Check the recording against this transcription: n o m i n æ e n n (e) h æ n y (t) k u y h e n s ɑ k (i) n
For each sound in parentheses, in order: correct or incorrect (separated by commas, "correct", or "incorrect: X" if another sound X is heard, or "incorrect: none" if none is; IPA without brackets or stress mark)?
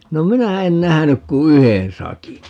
incorrect: æ, incorrect: k, correct